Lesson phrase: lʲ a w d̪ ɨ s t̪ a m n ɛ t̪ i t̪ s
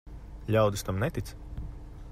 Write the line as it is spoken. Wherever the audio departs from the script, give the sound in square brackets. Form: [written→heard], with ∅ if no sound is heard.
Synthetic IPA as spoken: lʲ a w d̪ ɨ s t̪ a m n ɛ t̪ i t̪ s